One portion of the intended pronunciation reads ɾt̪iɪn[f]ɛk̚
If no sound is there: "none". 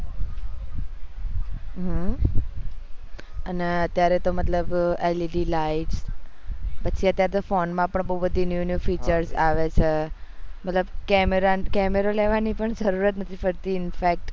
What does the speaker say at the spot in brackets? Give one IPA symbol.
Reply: f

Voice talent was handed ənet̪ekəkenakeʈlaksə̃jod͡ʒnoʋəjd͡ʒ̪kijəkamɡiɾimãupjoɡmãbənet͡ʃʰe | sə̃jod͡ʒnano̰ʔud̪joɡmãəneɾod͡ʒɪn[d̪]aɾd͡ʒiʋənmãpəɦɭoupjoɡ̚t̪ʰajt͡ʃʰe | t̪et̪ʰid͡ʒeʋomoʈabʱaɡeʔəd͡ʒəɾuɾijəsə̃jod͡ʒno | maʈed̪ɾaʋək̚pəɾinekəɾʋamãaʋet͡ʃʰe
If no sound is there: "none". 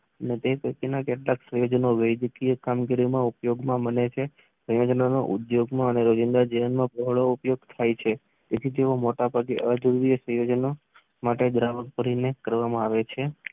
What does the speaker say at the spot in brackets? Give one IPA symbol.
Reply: d̪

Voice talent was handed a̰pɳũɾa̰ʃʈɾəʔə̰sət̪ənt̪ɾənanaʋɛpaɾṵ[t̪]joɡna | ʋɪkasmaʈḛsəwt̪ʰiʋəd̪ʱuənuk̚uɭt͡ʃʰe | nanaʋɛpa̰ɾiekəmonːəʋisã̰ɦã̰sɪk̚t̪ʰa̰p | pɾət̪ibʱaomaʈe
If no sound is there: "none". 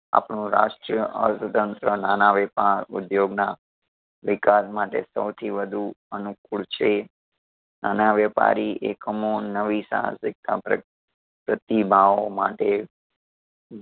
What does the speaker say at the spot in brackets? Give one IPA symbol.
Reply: d̪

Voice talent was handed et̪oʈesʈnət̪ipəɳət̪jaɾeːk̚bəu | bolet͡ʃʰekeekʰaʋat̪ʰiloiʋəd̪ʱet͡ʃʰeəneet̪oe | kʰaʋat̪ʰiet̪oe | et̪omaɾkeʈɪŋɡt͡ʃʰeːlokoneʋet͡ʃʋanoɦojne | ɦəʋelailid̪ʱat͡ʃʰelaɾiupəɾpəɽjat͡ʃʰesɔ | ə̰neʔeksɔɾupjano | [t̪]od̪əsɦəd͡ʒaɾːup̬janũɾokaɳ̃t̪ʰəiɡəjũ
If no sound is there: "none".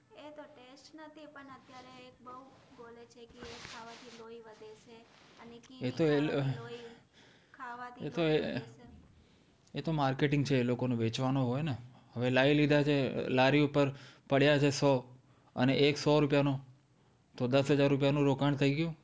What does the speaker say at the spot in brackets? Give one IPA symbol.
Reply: t̪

